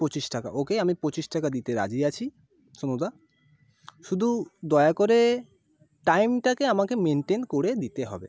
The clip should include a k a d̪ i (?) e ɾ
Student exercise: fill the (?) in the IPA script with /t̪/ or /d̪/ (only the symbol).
t̪